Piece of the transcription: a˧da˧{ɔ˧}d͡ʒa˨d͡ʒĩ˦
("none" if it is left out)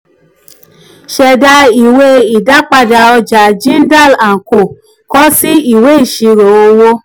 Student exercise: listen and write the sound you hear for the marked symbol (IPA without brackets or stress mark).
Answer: ɔ˧